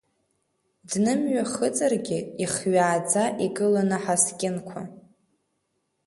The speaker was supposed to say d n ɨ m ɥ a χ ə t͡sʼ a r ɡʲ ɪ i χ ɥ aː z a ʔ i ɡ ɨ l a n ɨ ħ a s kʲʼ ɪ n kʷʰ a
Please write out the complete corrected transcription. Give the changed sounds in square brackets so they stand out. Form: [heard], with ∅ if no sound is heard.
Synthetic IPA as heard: d n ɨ m ɥ a χ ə t͡sʼ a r ɡʲ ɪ i χ ɥ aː [d͡z] a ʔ i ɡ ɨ l a n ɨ ħ a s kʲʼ ɪ n kʷʰ a